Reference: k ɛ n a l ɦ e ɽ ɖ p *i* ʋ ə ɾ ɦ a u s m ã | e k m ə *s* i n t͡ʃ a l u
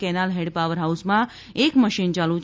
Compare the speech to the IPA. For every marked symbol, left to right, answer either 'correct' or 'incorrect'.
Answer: incorrect, incorrect

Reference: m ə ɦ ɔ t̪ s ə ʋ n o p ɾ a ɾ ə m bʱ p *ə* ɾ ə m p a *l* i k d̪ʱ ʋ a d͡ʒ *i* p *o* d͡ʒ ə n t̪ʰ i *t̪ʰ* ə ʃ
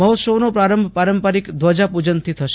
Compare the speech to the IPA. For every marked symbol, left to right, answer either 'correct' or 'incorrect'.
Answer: incorrect, incorrect, incorrect, incorrect, correct

